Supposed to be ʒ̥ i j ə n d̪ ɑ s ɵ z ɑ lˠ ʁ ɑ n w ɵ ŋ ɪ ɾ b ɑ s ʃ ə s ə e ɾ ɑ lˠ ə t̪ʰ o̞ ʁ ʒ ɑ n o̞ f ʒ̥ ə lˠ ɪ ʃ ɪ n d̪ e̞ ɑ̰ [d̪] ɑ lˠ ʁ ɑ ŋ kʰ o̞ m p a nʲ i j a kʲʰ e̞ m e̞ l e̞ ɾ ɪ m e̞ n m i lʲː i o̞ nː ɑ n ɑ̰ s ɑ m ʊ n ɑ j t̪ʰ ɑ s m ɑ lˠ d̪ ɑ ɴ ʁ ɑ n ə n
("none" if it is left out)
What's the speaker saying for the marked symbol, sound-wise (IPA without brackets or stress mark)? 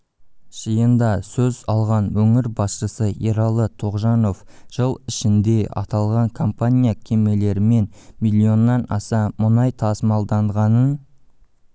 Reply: t̪